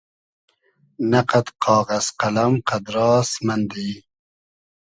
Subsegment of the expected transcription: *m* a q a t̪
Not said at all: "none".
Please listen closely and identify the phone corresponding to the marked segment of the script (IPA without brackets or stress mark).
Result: n